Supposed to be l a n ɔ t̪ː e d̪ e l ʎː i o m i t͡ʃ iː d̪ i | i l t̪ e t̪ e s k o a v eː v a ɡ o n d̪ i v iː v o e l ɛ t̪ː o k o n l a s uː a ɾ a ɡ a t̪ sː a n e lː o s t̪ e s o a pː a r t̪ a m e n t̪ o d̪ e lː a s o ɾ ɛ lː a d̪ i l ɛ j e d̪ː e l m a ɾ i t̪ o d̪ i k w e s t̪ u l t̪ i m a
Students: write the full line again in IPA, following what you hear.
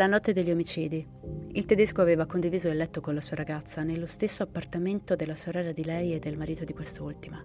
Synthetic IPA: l a n ɔ t̪ː e d̪ e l ʎː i o m i t͡ʃ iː d̪ i | i l t̪ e d̪ e s k o a v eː v a k o n d̪ i v iː z o e l ɛ t̪ː o k o n l a s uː a ɾ a ɡ a t̪ sː a n e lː o s t̪ e sː o a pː a r t̪ a m e n t̪ o d̪ e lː a s o ɾ ɛ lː a d̪ i l ɛ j e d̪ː e l m a ɾ iː t̪ o d̪ i k w e s t̪ u l t̪ i m a